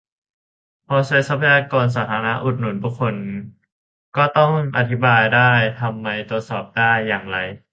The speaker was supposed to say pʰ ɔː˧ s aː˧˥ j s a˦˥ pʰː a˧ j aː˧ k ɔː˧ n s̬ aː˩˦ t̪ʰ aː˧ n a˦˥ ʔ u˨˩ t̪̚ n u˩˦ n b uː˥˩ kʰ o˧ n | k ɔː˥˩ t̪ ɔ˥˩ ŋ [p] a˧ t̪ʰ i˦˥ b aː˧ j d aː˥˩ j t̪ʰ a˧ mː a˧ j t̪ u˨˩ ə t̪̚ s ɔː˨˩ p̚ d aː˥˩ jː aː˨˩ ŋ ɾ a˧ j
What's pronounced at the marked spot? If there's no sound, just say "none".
ʔ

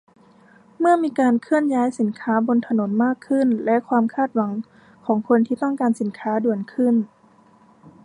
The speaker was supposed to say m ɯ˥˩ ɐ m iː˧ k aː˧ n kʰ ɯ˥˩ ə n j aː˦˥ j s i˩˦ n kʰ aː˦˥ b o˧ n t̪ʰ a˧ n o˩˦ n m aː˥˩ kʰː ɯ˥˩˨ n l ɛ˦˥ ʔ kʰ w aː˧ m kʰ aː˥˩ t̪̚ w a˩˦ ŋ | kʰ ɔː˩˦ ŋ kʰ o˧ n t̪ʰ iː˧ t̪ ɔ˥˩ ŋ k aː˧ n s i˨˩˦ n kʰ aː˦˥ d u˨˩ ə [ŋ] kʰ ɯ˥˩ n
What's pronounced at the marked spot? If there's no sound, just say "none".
n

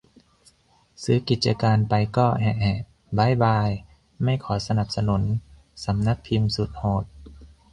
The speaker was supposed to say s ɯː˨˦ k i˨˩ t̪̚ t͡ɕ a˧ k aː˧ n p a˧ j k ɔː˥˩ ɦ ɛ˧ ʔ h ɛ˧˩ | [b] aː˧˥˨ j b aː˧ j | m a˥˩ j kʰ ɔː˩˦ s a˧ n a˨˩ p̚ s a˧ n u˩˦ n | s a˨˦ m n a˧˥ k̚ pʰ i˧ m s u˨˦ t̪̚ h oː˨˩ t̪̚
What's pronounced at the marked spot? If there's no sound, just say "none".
b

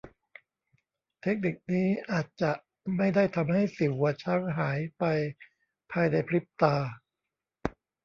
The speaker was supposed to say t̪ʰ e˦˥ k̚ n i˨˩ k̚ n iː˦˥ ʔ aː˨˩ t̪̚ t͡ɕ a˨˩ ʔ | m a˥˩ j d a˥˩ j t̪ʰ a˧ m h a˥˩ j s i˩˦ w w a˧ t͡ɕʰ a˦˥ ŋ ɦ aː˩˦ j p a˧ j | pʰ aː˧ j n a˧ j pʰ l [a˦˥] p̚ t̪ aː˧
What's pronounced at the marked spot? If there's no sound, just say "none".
i˦˥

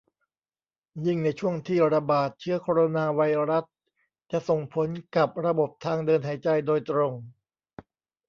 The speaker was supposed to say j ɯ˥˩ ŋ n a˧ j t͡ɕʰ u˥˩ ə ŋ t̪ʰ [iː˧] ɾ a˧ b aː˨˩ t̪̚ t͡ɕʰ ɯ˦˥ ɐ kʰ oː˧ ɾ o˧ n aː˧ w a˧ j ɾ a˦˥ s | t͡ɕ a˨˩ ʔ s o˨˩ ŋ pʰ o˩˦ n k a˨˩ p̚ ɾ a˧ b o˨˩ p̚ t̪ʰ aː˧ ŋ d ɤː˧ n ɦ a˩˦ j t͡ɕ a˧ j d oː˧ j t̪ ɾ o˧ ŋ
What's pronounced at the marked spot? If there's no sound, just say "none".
iː˥˩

